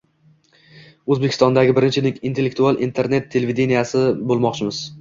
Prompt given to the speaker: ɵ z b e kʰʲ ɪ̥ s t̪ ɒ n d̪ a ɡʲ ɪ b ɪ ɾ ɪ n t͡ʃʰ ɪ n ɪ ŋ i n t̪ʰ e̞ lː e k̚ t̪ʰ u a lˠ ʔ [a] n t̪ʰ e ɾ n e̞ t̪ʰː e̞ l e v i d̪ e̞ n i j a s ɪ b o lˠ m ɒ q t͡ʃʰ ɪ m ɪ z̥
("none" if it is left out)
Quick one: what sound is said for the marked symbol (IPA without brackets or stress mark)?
i